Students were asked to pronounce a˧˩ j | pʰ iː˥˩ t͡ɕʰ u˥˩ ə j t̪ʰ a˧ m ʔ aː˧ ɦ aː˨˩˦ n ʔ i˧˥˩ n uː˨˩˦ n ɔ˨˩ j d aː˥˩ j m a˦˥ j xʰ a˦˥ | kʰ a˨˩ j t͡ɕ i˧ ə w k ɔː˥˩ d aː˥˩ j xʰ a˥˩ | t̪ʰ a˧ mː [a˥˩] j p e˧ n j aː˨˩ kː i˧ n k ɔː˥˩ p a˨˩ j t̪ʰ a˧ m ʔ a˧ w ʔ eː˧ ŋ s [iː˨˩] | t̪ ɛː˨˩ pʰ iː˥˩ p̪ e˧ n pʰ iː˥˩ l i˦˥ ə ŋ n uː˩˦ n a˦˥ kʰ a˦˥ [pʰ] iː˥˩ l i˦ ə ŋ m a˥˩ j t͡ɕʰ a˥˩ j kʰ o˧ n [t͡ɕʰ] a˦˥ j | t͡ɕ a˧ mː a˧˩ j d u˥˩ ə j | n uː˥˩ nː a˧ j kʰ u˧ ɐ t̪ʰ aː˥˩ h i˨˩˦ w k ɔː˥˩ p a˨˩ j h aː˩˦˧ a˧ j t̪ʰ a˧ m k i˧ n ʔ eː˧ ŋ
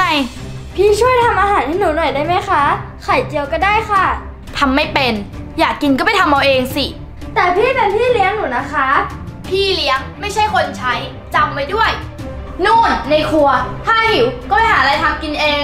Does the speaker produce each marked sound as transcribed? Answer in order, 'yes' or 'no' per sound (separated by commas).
yes, no, yes, yes